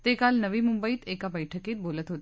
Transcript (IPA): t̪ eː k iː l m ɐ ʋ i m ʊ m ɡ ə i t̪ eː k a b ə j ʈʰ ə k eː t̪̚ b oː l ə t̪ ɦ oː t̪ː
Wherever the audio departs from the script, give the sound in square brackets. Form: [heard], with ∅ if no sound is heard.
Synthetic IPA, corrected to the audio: t̪ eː k [aː] l [n] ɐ ʋ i m ʊ m [b] ə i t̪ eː k a b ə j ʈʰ ə k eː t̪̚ b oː l ə t̪ ɦ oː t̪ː